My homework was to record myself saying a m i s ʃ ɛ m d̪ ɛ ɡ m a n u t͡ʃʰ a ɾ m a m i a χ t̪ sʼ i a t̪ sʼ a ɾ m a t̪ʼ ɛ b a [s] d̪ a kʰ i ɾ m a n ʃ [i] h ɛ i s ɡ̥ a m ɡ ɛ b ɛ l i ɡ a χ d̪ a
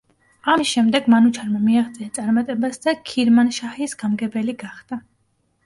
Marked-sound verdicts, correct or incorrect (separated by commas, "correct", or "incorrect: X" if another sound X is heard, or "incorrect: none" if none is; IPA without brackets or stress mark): correct, incorrect: a